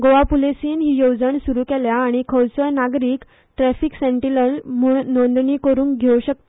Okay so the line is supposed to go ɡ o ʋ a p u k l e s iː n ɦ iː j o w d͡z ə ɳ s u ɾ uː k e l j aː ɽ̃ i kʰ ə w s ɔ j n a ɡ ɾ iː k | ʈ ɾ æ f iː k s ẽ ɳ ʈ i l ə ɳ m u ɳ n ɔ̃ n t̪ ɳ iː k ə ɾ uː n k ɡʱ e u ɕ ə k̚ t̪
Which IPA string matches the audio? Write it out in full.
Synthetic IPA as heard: ɡ o ʋ a p u l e s iː n ɦ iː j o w d͡z ə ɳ s u ɾ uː k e l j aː ɽ̃ i kʰ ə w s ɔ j n a ɡ ɾ iː k | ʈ ɾ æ f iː k s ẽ ɳ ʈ i l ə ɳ m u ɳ n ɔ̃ n d̪ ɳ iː k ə ɾ uː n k ɡʱ e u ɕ ə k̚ t̪